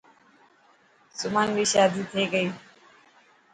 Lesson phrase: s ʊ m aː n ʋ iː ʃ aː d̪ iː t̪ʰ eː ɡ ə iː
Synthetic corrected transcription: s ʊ m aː n ʋ iː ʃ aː d̪ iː t̪ʰ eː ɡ ə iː

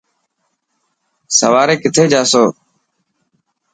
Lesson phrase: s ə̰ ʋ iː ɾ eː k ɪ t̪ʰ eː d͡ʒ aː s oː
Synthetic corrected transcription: s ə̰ ʋ aː ɾ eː k ɪ t̪ʰ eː d͡ʒ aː s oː

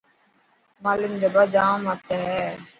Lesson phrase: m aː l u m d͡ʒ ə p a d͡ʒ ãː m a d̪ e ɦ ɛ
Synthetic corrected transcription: m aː l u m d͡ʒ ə b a d͡ʒ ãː m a t̪ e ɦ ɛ

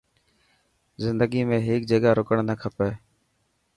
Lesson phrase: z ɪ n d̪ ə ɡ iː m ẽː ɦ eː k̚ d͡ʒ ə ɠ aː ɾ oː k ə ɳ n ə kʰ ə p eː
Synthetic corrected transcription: z ɪ n d̪ ə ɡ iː m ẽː ɦ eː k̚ d͡ʒ ə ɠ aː ɾ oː k ə ɳ n ə kʰ ə p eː

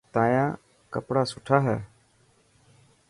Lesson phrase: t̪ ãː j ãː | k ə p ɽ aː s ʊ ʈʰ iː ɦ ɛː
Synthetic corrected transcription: t̪ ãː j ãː | k ə p ɽ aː s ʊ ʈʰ aː ɦ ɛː

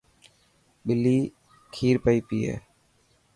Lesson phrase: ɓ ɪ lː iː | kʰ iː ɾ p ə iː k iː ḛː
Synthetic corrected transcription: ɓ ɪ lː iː | kʰ iː ɾ p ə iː p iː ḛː

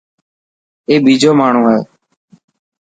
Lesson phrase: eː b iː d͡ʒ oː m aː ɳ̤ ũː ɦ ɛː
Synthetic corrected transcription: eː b iː d͡ʒ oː m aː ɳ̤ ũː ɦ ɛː

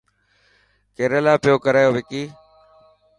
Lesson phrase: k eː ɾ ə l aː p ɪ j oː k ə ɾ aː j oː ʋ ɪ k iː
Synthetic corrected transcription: k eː ɾ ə l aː p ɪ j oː k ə ɾ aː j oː ʋ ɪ k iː

